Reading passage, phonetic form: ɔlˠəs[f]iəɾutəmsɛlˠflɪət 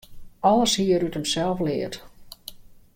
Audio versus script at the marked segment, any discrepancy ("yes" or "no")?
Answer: yes